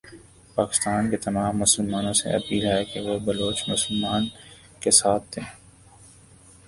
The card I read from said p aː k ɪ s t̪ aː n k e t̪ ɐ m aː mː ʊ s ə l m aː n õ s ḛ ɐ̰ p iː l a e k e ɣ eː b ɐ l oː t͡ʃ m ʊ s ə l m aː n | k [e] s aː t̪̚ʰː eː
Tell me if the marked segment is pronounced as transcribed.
yes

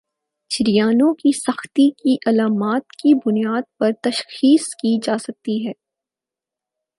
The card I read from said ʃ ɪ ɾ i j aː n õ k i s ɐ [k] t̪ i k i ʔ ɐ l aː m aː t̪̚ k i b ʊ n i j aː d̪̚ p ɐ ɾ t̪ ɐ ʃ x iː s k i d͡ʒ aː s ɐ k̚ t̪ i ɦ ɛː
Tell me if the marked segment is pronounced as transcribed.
no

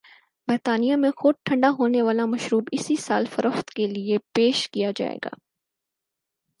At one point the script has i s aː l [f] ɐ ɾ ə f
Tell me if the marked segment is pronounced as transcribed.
yes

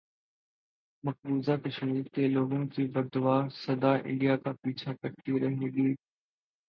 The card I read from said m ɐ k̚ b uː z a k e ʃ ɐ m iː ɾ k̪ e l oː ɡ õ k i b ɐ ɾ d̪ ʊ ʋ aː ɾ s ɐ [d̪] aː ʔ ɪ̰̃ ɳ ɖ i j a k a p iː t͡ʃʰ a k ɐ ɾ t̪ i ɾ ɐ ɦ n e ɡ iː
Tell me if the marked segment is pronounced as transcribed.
yes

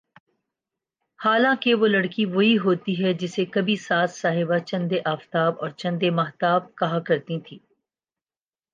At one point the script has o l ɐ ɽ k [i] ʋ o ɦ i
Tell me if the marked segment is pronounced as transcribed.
yes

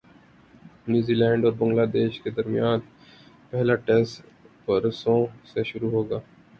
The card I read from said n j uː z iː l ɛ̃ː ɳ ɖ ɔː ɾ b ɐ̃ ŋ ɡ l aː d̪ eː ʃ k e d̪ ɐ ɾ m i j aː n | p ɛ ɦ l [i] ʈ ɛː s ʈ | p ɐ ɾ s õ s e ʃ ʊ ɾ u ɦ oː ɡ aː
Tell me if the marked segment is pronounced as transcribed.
no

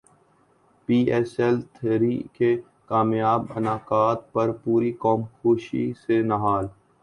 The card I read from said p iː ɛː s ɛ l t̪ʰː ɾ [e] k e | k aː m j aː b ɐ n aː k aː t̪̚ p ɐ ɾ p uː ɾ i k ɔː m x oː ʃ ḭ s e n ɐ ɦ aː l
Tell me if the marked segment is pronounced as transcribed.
no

